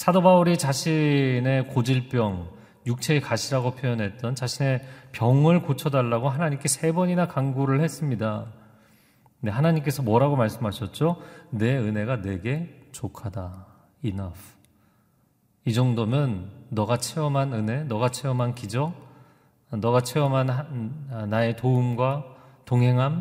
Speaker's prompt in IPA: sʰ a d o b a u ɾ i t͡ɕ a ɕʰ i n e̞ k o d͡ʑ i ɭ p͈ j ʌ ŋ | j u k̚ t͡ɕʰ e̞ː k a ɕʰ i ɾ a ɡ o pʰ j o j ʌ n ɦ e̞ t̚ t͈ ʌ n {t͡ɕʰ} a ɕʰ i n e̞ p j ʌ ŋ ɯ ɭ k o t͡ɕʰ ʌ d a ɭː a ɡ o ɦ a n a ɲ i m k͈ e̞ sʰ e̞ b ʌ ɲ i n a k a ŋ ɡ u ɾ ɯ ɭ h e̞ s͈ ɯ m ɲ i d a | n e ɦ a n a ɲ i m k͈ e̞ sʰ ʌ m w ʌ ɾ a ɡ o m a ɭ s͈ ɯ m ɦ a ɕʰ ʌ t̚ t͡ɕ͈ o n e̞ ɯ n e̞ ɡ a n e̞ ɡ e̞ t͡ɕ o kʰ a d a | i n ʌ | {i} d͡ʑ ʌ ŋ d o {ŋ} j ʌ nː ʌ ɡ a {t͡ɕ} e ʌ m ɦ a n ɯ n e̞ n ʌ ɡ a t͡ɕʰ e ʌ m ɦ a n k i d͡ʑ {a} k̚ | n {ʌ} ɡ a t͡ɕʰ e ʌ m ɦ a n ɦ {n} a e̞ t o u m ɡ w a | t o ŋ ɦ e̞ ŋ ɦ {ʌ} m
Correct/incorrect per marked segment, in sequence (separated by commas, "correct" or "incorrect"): incorrect, correct, incorrect, incorrect, incorrect, correct, correct, incorrect